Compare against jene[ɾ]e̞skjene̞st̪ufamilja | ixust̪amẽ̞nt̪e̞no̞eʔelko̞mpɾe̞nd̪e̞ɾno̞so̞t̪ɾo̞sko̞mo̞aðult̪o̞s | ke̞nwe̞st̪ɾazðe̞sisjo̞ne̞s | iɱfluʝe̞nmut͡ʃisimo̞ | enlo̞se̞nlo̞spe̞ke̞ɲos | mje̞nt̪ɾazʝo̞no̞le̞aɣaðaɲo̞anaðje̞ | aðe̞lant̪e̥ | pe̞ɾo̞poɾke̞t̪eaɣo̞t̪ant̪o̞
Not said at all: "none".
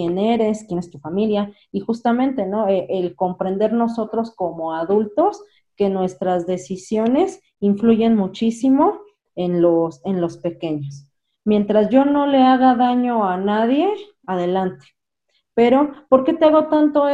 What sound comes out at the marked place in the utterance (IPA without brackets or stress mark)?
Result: ɾ